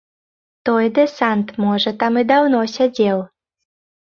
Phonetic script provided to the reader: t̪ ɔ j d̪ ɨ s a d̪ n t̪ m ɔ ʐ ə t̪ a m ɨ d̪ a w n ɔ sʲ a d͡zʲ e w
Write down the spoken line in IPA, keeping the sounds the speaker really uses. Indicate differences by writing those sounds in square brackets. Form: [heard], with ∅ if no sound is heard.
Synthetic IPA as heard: t̪ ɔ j d̪ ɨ s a [∅] n t̪ m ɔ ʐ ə t̪ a m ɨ d̪ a w n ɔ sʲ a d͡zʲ e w